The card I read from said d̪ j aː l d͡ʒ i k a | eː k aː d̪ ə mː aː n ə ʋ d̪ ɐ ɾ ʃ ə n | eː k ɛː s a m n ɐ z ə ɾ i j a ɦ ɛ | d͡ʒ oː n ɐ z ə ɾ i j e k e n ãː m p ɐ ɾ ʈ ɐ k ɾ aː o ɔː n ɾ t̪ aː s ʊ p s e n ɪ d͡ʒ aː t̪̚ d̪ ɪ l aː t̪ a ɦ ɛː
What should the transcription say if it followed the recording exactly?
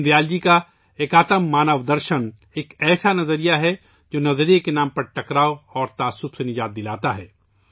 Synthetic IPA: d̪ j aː l d͡ʒ i k a | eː k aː t̪ ə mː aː n ə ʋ d̪ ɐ ɾ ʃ ə n | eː k ɛː s a n ɐ z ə ɾ i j a ɦ ɛ | d͡ʒ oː n ɐ z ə ɾ i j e k e n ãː m p ɐ ɾ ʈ ɐ k ɾ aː o ɔː ɾ t̪ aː s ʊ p s e n ɪ d͡ʒ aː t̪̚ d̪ ɪ l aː t̪ a ɦ ɛː